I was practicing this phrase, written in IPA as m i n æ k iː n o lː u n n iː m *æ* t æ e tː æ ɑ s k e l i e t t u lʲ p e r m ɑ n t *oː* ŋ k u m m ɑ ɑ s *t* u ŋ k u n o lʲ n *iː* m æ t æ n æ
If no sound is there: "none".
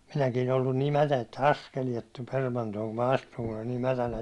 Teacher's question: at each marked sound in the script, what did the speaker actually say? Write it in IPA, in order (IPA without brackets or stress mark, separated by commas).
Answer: æ, oː, t, iː